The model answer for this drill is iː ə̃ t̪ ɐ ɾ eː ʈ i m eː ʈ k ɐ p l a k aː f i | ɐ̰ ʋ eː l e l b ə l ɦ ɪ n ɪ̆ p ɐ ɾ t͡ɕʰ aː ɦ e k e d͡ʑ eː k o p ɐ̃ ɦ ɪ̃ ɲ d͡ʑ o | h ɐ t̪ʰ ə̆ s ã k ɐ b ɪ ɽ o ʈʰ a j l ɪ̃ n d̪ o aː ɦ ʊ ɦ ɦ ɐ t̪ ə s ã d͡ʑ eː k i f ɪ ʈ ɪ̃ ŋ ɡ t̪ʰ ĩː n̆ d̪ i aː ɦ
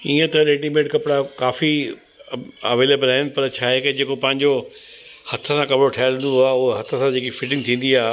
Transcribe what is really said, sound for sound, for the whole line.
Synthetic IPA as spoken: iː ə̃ t̪ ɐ ɾ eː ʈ i m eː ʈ k ɐ p ɽ a k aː f i | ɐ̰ ʋ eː l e b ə l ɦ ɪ n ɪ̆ p ɐ ɾ t͡ɕʰ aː ɦ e k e d͡ʑ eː k o p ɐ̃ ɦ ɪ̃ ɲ d͡ʑ o | h ɐ t̪ʰ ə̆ s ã k ɐ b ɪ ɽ o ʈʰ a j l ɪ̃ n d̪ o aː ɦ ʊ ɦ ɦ ɐ t̪ʰ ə s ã d͡ʑ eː k i f ɪ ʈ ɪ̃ ŋ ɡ t̪ʰ ĩː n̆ d̪ i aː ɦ